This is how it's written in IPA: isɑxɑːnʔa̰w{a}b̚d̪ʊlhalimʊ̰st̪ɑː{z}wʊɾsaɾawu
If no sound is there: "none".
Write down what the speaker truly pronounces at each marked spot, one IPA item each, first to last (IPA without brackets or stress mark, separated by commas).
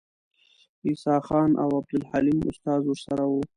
a, z